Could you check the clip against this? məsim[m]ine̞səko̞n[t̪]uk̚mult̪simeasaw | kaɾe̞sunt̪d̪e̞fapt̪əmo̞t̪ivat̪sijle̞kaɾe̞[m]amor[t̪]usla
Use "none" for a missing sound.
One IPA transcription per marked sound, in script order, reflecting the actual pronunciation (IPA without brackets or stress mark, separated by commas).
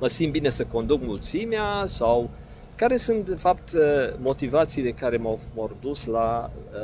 b, d̪, m, d̪